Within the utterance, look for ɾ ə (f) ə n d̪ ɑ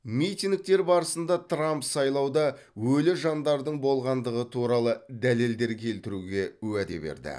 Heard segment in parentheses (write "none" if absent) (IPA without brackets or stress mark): s